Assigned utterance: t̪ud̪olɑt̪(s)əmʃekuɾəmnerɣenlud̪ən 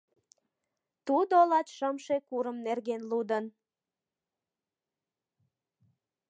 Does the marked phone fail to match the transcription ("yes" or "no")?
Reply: yes